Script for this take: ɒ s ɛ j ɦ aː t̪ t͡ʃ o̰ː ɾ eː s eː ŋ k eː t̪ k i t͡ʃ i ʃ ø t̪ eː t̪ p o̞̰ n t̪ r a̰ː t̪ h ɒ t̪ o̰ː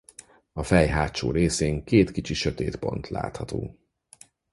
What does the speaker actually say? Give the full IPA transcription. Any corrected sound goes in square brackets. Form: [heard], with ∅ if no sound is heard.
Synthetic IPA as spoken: ɒ [f] ɛ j ɦ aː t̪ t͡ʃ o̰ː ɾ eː s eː ŋ k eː t̪ k i t͡ʃ i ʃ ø t̪ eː t̪ p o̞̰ n t̪ [l] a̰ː t̪ h ɒ t̪ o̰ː